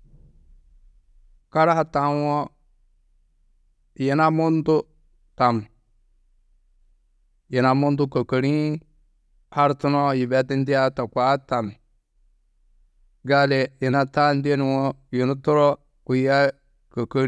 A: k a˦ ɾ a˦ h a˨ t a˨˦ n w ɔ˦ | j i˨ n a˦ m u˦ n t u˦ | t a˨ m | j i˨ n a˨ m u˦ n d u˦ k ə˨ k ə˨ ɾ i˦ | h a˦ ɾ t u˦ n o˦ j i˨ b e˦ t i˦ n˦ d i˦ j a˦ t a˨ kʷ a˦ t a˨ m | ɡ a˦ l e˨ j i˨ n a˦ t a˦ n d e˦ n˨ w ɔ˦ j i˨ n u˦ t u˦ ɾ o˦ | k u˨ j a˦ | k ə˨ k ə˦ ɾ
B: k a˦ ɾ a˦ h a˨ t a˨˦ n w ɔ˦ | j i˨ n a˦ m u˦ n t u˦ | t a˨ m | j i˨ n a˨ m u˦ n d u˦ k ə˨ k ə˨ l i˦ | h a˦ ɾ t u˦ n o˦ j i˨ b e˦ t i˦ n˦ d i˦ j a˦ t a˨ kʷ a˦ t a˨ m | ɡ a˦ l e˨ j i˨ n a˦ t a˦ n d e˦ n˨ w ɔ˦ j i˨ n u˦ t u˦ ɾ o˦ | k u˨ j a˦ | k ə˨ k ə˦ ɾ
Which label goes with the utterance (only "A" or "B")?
A